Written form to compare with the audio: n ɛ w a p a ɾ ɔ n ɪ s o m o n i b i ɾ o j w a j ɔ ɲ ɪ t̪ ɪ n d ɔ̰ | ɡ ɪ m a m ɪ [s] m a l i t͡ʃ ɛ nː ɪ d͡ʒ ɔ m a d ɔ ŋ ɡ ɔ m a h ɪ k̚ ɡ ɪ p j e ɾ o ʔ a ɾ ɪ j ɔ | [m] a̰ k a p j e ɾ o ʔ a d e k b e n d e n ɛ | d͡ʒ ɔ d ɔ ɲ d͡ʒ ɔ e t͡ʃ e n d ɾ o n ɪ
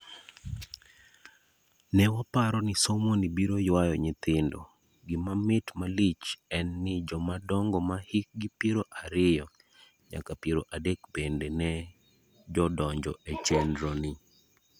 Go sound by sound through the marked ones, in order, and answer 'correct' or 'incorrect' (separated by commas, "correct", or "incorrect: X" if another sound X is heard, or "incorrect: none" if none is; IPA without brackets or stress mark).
incorrect: t, incorrect: ɲ